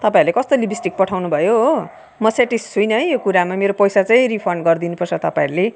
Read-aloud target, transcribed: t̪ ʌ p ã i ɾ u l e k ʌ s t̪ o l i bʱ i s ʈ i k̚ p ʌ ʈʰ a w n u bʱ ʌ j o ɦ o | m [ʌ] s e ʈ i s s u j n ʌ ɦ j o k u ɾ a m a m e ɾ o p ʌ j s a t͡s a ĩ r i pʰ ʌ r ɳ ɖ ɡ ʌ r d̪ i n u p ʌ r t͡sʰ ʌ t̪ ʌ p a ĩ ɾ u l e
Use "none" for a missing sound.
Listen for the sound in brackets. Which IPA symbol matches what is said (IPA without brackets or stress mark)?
ʌ